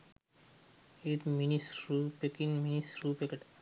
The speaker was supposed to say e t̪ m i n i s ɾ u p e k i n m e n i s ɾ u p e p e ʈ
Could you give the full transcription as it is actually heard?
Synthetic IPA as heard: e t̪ m i n i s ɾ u p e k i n m i n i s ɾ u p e k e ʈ